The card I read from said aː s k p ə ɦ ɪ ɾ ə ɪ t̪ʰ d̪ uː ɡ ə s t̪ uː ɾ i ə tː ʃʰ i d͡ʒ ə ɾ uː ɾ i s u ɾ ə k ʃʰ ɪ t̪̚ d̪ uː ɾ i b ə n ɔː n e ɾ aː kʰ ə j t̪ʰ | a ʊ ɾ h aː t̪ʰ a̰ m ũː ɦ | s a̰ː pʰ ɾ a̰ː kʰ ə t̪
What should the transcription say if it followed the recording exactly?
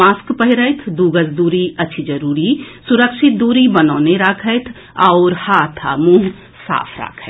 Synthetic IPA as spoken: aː s k p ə ɦ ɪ ɾ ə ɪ t̪ʰ d̪ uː ɡ ə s d̪ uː ɾ i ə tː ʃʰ i d͡ʒ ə ɾ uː ɾ i s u ɾ ə k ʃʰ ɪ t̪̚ d̪ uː ɾ i b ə n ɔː n e ɾ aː kʰ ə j t̪ʰ | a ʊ ɾ h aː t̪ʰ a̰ m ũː ɦ | s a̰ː pʰ ɾ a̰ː kʰ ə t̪